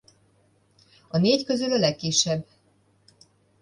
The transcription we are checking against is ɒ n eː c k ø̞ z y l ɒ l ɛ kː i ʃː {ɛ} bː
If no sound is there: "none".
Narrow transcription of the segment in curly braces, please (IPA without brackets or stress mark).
ɛ